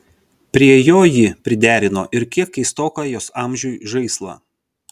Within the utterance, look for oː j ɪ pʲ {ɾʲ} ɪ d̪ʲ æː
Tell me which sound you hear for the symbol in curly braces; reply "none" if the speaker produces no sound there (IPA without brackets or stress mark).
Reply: ɾʲ